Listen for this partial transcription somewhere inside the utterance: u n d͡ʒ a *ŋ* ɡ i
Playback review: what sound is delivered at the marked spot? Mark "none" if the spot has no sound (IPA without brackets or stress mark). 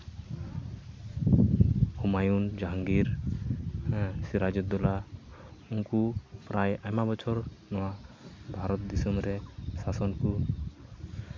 ŋ